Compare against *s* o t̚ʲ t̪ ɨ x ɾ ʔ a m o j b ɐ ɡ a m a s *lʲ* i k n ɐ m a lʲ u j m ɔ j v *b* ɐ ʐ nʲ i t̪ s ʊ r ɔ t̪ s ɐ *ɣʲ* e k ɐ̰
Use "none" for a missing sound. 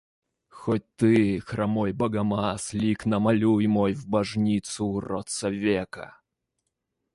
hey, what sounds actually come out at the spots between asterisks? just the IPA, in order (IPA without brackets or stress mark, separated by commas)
x, lʲ, b, vʲ